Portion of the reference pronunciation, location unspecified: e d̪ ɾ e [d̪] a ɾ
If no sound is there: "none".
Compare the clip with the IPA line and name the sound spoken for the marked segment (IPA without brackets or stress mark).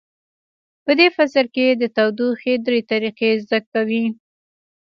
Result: t̪